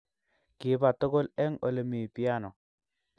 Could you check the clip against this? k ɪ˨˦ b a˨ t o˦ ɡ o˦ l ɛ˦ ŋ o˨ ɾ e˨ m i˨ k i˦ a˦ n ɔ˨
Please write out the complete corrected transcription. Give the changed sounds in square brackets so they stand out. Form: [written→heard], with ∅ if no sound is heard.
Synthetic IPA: k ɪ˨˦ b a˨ t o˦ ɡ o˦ l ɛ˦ ŋ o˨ [ɾ→l] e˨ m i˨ [k→p] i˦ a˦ n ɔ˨